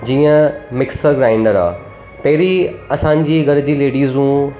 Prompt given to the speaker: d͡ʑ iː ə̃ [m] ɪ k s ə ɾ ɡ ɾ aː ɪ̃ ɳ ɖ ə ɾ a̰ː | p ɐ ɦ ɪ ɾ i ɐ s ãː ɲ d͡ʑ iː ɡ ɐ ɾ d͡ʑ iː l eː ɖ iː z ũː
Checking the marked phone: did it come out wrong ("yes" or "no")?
no